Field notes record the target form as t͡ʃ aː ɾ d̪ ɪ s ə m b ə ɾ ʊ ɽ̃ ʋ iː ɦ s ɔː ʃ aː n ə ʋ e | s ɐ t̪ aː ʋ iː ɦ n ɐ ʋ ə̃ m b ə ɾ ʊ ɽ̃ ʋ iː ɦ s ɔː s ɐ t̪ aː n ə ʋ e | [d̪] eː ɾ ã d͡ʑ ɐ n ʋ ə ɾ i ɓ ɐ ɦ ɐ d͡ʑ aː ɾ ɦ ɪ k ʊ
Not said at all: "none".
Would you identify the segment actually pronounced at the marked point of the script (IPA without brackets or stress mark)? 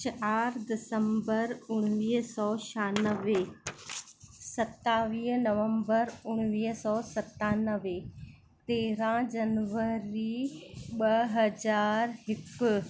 t̪